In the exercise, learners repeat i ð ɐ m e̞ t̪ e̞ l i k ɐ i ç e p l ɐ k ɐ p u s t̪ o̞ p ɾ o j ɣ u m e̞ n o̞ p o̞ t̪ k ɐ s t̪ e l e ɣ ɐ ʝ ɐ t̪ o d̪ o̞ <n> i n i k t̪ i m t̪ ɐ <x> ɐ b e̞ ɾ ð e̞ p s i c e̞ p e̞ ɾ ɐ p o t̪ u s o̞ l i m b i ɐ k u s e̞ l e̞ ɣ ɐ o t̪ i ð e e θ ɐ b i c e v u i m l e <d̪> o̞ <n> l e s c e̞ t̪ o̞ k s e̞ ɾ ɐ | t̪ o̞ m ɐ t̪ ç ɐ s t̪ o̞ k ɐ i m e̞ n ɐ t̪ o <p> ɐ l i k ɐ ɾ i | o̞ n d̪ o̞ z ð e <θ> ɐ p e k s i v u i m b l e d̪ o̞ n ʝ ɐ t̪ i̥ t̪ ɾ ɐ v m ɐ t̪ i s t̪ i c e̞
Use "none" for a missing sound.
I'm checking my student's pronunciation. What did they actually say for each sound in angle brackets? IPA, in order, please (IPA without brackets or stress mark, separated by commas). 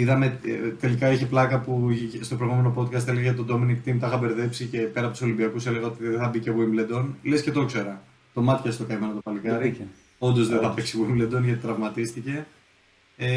m, x, d̪, n, p, θ